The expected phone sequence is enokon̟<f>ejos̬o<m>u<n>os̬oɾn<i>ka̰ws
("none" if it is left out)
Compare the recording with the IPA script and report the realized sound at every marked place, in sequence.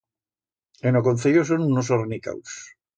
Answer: θ, n, n, i

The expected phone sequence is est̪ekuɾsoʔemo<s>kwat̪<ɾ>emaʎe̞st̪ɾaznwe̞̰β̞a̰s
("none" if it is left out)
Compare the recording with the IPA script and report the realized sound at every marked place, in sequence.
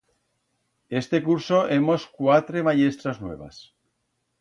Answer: s, ɾ

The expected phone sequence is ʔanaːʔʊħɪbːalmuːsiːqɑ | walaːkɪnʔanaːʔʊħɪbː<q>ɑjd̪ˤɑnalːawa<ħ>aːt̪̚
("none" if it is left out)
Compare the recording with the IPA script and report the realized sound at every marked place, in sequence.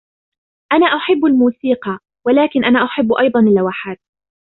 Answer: ʔ, ħ

